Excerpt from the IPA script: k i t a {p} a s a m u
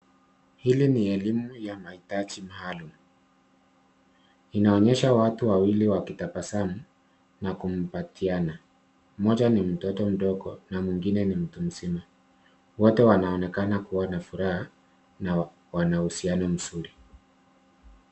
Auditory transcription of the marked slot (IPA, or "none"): p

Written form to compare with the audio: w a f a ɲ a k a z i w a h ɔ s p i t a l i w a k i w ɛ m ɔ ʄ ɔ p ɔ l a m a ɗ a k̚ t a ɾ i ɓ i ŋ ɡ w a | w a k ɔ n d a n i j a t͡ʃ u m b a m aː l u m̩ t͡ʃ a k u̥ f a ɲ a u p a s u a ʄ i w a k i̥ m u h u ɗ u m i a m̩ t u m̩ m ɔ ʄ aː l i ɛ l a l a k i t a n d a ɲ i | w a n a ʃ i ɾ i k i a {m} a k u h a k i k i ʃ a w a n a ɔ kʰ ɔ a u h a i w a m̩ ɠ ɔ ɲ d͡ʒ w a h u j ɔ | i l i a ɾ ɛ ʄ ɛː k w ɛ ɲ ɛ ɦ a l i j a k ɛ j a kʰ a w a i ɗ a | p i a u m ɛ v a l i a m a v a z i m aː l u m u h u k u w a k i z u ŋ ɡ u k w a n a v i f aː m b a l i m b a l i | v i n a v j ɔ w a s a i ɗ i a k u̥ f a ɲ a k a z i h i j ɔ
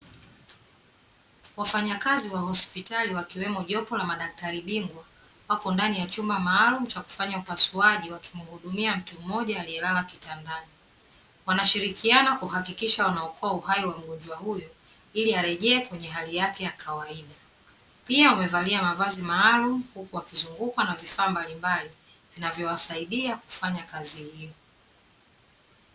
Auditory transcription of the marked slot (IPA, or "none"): n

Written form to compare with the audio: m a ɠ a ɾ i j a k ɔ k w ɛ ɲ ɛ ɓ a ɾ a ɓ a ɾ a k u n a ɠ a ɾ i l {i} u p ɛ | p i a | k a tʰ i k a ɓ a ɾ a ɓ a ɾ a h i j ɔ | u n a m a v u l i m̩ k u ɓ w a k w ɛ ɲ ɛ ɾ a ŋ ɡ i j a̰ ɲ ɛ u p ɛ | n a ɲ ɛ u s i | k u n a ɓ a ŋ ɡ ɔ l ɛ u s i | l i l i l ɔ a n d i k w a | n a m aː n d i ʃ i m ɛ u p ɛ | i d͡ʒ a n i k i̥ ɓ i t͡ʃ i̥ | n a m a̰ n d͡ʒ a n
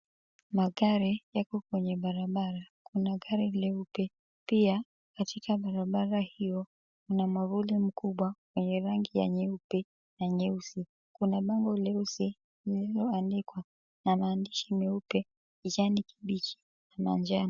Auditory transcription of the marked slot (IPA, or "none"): ɛ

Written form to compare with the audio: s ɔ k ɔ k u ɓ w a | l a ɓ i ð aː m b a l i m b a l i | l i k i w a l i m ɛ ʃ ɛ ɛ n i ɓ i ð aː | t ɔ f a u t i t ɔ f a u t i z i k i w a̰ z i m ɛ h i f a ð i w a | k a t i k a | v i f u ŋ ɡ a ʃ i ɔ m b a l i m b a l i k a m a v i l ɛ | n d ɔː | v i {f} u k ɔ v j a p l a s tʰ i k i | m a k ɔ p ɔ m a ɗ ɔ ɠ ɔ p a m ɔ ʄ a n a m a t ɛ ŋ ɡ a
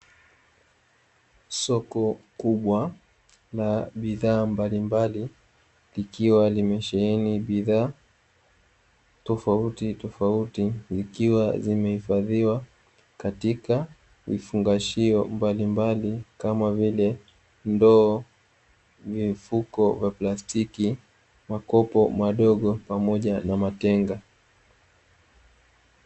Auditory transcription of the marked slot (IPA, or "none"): f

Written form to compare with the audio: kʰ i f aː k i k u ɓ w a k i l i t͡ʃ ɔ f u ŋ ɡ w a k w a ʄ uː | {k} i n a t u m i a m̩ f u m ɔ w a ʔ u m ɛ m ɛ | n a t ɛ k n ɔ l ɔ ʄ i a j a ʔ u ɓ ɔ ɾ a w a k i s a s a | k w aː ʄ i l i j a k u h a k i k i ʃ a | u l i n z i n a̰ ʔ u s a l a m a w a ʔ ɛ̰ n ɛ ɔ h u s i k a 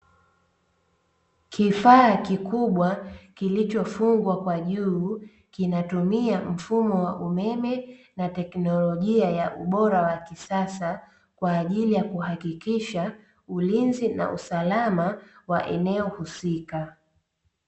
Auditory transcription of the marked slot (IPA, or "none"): k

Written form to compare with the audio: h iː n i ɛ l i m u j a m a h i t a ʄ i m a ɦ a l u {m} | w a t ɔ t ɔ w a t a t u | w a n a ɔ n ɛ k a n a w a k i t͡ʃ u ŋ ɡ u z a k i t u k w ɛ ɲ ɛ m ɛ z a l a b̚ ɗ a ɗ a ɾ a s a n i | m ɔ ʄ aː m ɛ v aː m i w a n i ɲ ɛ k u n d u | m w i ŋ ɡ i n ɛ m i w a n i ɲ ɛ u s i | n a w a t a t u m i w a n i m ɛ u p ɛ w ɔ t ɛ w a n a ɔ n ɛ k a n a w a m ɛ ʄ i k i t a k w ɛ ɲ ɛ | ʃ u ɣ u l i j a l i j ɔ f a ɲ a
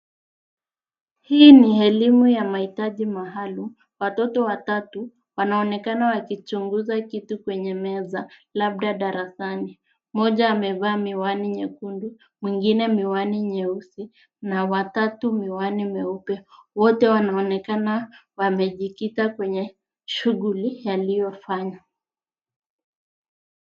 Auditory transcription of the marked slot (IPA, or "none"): m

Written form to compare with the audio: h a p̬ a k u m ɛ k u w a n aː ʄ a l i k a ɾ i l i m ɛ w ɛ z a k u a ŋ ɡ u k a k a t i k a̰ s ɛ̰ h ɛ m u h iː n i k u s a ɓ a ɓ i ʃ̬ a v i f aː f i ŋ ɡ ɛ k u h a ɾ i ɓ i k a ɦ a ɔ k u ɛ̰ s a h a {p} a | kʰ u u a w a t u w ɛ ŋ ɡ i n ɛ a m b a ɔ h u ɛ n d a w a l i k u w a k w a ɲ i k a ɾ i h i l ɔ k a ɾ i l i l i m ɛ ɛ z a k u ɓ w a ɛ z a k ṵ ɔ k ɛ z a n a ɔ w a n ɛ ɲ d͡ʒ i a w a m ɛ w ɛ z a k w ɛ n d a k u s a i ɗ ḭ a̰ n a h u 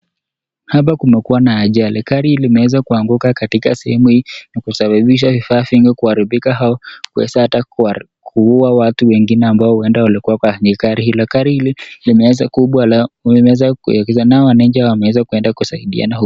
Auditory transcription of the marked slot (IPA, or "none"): t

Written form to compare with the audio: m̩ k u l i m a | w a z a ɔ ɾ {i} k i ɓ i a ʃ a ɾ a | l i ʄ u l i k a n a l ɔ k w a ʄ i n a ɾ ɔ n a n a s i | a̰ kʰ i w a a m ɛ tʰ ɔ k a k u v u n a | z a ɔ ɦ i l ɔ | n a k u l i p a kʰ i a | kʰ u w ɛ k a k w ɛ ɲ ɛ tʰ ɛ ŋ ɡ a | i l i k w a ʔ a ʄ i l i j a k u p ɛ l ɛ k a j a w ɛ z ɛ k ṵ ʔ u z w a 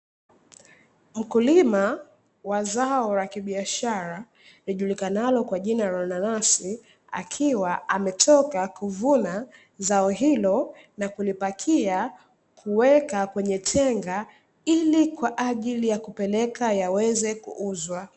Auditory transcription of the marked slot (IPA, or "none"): a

